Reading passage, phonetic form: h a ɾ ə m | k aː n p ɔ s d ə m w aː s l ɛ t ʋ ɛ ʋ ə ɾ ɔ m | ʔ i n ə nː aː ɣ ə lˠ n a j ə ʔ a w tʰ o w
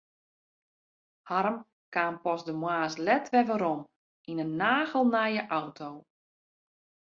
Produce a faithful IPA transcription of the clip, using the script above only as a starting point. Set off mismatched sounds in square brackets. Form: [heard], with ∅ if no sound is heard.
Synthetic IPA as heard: h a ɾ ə m | k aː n p ɔ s d ə m w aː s l ɛ t ʋ ɛ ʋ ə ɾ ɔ m | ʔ i n ə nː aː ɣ ə lˠ n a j ə ʔ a w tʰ o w

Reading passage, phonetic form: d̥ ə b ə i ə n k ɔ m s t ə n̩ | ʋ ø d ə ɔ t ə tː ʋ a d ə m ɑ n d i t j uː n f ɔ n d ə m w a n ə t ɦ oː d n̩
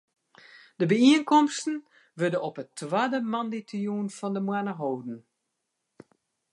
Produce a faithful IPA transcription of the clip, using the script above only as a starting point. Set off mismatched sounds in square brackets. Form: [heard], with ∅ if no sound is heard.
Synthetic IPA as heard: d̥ ə b ə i ə n k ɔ m s t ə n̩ | ʋ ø d ə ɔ [p] ə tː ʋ a d ə m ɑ n d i t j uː n f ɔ n d ə m w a n ə [∅] ɦ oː d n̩

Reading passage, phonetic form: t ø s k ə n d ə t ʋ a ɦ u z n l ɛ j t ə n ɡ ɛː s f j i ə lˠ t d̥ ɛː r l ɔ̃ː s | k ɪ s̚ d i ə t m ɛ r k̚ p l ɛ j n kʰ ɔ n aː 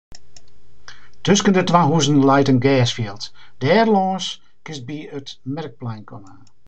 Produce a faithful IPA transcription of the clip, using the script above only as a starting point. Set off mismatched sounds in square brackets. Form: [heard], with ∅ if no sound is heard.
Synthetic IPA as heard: t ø s k ə n d ə t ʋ a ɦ u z n l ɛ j t ə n ɡ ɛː s f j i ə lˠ t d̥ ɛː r l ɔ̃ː s | k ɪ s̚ [b] i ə t m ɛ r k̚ p l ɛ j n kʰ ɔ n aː

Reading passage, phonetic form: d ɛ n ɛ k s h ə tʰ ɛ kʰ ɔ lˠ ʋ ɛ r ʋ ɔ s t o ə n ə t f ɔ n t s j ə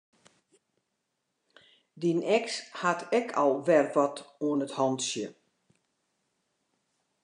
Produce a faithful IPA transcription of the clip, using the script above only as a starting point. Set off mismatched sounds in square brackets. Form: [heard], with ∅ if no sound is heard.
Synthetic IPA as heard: d [i] n ɛ k s h [a] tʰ ɛ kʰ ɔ lˠ ʋ ɛ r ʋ ɔ [∅] t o ə n ə t [h] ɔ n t s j ə

